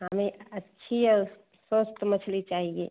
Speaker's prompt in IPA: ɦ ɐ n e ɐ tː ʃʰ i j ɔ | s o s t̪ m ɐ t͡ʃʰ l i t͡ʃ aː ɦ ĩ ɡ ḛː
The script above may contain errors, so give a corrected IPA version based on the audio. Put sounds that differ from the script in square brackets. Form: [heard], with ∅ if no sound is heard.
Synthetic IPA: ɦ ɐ [m] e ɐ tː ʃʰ i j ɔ | s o s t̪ m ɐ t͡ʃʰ l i t͡ʃ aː ɦ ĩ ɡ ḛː